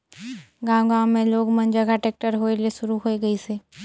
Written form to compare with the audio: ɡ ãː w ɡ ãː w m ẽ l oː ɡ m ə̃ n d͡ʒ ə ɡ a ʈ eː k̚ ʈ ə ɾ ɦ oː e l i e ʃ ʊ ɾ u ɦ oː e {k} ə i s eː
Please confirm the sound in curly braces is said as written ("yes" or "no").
no